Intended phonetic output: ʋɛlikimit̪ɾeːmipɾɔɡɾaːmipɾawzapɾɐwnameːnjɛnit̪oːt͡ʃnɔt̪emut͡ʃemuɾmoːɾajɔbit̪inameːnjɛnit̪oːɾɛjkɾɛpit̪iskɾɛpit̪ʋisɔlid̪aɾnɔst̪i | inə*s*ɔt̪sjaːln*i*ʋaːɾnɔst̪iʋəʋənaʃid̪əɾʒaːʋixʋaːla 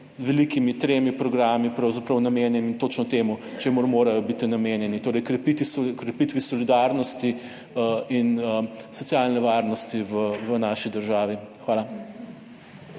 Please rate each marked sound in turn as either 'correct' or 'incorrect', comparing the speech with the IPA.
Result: correct, incorrect

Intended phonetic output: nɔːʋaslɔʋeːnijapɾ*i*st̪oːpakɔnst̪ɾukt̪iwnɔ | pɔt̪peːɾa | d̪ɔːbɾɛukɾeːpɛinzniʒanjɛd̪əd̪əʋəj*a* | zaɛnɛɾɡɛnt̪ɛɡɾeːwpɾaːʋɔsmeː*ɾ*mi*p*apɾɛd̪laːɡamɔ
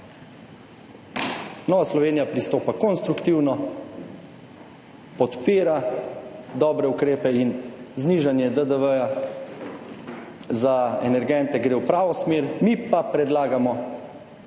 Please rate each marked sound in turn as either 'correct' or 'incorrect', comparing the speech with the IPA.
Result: correct, correct, correct, correct

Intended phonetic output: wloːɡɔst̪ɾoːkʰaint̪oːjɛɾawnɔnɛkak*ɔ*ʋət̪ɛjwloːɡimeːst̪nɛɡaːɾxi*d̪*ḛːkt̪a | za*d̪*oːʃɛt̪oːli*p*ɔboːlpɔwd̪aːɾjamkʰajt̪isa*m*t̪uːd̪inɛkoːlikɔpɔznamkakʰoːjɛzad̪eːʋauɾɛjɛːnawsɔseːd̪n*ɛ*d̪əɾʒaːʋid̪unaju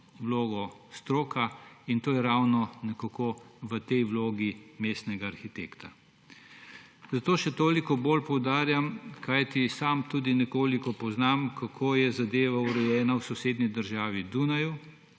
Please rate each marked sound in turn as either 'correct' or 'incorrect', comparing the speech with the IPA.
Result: incorrect, incorrect, incorrect, incorrect, correct, incorrect

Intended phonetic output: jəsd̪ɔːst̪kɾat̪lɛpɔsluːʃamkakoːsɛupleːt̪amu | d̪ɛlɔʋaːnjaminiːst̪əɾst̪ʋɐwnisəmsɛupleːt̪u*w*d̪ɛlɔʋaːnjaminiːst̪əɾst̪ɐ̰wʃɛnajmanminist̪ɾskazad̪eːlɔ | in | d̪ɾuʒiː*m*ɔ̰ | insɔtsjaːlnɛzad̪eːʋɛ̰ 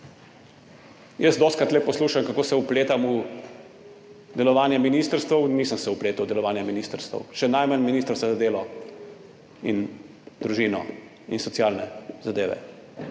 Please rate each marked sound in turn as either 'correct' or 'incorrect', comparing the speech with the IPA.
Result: correct, incorrect

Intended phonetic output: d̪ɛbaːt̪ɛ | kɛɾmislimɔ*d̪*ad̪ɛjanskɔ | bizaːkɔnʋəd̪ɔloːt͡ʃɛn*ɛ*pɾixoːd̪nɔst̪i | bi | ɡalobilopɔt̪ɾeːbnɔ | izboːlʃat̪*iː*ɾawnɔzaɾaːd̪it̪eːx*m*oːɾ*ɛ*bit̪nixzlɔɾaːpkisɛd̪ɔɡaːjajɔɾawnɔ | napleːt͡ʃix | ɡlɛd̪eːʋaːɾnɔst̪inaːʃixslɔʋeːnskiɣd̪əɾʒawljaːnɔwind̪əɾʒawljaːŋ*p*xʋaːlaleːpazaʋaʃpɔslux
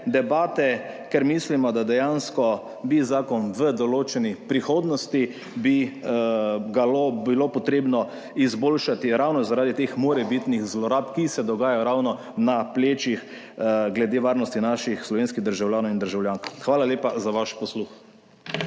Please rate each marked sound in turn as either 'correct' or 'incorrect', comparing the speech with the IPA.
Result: correct, incorrect, incorrect, correct, correct, incorrect

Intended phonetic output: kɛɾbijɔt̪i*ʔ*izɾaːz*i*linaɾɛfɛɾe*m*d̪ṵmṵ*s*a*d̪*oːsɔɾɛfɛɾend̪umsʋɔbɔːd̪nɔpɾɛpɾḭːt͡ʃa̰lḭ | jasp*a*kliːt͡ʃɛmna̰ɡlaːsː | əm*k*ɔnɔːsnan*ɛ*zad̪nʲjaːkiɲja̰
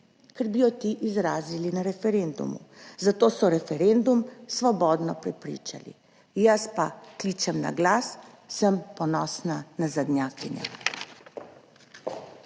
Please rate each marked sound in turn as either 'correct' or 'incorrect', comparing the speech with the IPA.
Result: correct, correct, incorrect, incorrect, incorrect, correct, incorrect, incorrect

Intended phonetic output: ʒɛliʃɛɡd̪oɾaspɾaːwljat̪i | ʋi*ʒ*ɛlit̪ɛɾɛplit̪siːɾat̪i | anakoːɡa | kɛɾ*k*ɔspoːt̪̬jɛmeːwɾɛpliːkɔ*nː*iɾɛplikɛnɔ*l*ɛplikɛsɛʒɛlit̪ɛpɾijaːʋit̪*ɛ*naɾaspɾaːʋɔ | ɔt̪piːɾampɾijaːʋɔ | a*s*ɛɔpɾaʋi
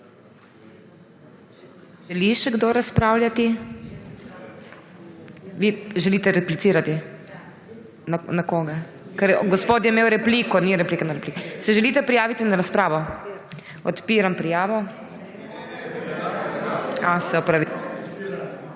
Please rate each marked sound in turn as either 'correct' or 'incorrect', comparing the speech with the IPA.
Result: correct, incorrect, incorrect, incorrect, incorrect, correct

